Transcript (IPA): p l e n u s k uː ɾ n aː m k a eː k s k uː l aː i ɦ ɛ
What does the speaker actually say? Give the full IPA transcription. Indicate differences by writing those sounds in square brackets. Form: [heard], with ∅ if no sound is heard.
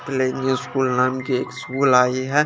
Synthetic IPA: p l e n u s k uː [l] n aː m k [i] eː k s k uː l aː i ɦ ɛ